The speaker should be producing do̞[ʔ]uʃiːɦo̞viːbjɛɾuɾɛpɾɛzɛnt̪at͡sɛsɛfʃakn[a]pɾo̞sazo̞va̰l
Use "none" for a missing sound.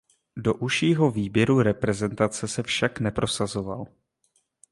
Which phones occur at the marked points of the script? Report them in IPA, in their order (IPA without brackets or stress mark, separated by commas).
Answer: ʔ, ɛ